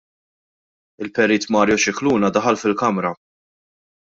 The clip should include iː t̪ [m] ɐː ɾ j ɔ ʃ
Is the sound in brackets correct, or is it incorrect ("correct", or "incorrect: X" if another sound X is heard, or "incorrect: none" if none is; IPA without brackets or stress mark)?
correct